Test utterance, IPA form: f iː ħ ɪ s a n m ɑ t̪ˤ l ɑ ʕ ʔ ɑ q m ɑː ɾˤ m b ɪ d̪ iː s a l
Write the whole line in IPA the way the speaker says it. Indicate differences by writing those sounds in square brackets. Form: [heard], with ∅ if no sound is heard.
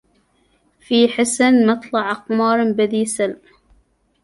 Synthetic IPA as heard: f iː ħ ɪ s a n m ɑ t̪ˤ l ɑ ʕ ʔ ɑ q m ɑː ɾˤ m b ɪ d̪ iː s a l